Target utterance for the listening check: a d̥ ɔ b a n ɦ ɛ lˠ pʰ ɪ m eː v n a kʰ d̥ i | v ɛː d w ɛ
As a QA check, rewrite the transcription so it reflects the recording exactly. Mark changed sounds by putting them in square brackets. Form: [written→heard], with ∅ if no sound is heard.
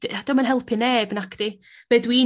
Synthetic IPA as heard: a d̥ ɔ [b→m] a n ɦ ɛ lˠ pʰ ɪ [m→n] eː [v→b] n a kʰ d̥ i | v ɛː d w [ɛ→i]